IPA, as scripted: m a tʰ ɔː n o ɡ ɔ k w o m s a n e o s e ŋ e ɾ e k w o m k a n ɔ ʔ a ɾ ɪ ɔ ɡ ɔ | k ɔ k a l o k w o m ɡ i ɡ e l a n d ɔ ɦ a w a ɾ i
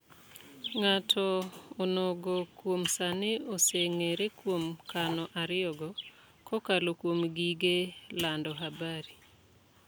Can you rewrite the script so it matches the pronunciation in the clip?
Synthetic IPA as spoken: ŋ a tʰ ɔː n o ɡ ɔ k w o m s a n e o s e ŋ e ɾ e k w o m k a n ɔ ʔ a ɾ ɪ ɔ ɡ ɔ | k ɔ k a l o k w o m ɡ i ɡ e l a n d ɔ ɦ a b a ɾ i

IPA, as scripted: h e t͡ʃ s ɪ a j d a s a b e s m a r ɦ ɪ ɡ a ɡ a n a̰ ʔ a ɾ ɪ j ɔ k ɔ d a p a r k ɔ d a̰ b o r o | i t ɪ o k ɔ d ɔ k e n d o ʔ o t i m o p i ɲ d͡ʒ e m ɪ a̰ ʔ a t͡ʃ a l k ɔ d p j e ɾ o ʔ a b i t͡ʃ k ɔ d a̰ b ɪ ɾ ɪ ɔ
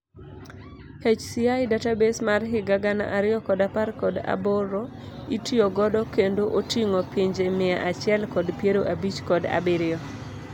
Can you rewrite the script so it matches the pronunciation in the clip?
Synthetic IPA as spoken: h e t͡ʃ s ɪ a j d a t a b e s m a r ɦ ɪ ɡ a ɡ a n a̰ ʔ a ɾ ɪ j ɔ k ɔ d a p a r k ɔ d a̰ b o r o | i t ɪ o ɡ ɔ d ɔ k e n d o ʔ o t i ŋ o p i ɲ d͡ʒ e m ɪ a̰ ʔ a t͡ʃ ɛ l k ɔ d p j e ɾ o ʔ a b i t͡ʃ k ɔ d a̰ b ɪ ɾ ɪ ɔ

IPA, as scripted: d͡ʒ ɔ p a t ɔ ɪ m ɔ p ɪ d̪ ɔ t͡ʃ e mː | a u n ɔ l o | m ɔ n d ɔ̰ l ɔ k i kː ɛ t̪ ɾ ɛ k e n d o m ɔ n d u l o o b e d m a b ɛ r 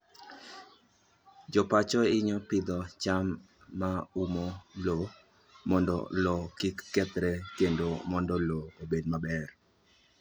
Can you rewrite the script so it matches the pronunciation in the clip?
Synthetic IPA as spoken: d͡ʒ ɔ p a t͡ʃ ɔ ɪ ɲ ɔ p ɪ d̪ ɔ t͡ʃ a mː | a u m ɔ l o | m ɔ n d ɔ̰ l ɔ k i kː ɛ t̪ ɾ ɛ k e n d o m ɔ n d ɔ l o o b e d m a b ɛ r

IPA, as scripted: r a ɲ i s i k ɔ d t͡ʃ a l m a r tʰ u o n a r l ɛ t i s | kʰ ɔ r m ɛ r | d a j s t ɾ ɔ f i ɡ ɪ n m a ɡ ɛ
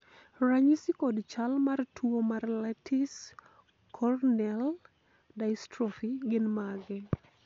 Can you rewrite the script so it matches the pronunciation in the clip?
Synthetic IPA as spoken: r a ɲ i s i k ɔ d t͡ʃ a l m a r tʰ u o m a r l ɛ t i s | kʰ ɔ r n ɛ l | d a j s t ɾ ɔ f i ɡ ɪ n m a ɡ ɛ

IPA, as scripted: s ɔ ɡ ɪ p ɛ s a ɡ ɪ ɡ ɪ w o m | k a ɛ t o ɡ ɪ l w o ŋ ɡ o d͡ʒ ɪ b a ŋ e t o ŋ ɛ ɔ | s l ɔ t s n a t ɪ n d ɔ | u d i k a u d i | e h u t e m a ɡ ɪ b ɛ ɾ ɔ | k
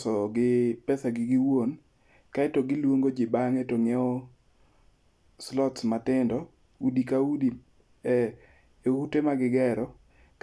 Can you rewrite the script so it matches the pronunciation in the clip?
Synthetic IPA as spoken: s ɔ ɡ ɪ p ɛ s a ɡ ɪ ɡ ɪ w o n | k a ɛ t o ɡ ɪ l w o ŋ ɡ o d͡ʒ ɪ b a ŋ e t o ŋ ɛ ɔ | s l ɔ t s m a t ɪ n d ɔ | u d i k a u d i | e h u t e m a ɡ ɪ ɡ ɛ ɾ ɔ | k

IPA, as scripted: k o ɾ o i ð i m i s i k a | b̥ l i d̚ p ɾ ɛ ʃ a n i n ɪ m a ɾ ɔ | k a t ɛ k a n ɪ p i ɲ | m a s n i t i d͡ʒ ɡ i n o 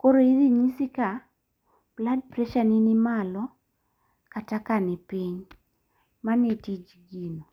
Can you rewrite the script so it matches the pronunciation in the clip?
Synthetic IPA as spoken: k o ɾ o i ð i ɲ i s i k a | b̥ l a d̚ p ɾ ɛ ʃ a n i n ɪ m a l ɔ | k a t a k a n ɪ p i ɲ | m a n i t i d͡ʒ ɡ i n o

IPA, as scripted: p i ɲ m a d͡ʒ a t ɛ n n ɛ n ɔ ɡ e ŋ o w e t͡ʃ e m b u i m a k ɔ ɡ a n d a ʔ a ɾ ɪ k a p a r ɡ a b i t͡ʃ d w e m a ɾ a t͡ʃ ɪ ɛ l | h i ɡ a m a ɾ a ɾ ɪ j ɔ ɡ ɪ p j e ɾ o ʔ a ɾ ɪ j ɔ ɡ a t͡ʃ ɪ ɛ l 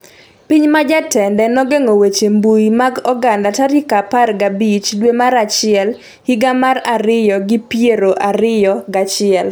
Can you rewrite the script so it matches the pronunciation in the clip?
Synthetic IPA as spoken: p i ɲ m a d͡ʒ a t ɛ n d ɛ n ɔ ɡ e ŋ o w e t͡ʃ e m b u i m a ɡ ɔ ɡ a n d a t a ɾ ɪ k a p a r ɡ a b i t͡ʃ d w e m a ɾ a t͡ʃ ɪ ɛ l | h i ɡ a m a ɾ a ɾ ɪ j ɔ ɡ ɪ p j e ɾ o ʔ a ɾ ɪ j ɔ ɡ a t͡ʃ ɪ ɛ l

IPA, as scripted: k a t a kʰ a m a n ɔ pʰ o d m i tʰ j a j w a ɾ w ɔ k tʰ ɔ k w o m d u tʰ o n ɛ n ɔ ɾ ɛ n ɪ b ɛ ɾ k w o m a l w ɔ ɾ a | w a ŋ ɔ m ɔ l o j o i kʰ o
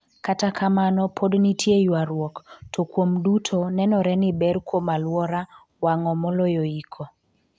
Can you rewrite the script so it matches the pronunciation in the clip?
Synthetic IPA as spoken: k a t a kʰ a m a n ɔ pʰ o d n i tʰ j e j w a ɾ w ɔ k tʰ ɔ k w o m d u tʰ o n ɛ n ɔ ɾ ɛ n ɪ b ɛ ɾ k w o m a l w ɔ ɾ a | w a ŋ ɔ m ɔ l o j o i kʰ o

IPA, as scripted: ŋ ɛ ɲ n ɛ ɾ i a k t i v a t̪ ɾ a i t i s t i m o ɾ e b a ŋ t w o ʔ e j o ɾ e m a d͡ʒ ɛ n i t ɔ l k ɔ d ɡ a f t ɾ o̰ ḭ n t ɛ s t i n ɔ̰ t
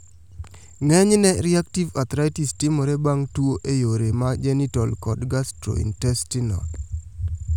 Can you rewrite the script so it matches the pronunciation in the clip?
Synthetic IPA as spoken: ŋ ɛ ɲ n ɛ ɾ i a k t i v a t̪ ɾ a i t i s t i m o ɾ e b a ŋ t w o ʔ e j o ɾ e m a d͡ʒ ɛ n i t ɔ l k ɔ d ɡ a s t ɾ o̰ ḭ n t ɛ s t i n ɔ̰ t

